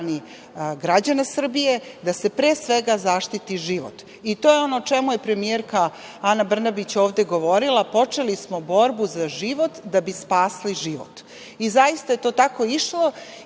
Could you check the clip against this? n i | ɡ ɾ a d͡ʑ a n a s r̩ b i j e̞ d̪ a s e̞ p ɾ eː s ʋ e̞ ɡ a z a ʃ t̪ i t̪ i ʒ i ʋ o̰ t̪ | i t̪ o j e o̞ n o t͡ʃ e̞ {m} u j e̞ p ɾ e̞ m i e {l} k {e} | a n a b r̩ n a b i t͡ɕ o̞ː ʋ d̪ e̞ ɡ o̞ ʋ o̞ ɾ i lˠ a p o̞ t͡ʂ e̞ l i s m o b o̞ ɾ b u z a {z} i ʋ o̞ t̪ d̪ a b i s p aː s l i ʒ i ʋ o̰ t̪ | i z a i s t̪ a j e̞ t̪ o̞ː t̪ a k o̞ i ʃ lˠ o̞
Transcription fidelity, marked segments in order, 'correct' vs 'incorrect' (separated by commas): correct, incorrect, incorrect, incorrect